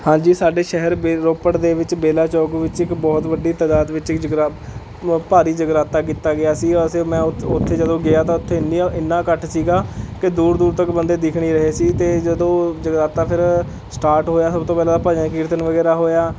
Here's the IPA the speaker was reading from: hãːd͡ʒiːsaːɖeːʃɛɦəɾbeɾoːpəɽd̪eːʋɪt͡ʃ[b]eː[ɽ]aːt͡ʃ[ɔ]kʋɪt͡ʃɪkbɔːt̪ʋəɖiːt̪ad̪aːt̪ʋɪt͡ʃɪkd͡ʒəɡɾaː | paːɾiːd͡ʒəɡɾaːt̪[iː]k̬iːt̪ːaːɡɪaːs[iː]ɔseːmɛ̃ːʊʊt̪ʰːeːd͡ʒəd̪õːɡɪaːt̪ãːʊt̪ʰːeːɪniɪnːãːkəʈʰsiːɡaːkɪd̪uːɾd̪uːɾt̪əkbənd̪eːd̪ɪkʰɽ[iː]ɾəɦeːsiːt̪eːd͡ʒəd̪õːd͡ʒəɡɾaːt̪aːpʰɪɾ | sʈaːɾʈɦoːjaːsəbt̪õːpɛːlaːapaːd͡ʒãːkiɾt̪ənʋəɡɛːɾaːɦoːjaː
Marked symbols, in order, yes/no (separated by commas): yes, no, no, no, yes, yes